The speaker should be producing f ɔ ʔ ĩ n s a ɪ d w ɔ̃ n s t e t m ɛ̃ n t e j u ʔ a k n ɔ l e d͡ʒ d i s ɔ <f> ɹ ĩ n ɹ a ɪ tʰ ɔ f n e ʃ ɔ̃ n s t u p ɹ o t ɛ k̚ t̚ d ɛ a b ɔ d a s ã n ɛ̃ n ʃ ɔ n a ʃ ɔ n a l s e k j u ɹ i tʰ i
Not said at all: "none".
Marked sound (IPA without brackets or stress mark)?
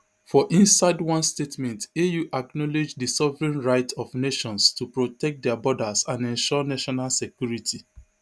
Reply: v